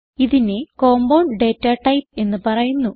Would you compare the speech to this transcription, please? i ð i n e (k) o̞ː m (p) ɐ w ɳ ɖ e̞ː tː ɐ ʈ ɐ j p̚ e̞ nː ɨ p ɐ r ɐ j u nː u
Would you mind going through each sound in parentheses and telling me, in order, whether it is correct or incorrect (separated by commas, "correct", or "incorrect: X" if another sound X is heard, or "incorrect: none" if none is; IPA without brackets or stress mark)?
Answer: correct, incorrect: b